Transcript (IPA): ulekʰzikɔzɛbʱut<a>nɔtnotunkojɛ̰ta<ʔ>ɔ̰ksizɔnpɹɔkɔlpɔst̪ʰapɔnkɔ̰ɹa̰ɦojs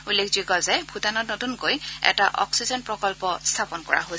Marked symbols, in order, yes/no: yes, yes

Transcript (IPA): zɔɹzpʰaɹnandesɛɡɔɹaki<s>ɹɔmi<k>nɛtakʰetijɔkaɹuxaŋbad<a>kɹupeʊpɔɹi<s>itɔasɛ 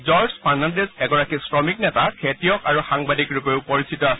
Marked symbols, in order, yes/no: yes, yes, no, yes

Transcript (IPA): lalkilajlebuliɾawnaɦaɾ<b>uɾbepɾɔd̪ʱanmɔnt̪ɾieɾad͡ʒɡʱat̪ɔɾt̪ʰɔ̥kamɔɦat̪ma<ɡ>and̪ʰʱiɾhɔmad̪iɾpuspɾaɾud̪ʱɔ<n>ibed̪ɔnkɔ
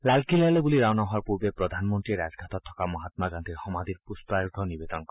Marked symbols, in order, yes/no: no, yes, yes

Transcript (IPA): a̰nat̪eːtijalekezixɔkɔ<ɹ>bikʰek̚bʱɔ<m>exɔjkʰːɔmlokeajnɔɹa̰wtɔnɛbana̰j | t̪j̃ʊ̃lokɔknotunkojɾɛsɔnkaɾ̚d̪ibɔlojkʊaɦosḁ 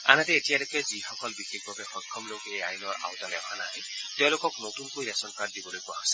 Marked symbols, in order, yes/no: no, no

